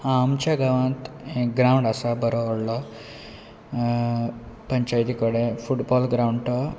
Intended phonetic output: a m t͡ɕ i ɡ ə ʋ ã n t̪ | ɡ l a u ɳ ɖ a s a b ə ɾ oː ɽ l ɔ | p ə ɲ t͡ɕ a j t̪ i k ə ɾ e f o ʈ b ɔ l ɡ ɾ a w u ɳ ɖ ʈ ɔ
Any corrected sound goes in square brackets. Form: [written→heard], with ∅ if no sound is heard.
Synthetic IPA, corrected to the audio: a m t͡ɕ [i→a] ɡ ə ʋ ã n t̪ | ɡ [l→ɾ] a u ɳ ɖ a s a b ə ɾ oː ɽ l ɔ | p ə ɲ t͡ɕ a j t̪ i k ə [ɾ→ɽ] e f [o→u] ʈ b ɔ l ɡ ɾ a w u ɳ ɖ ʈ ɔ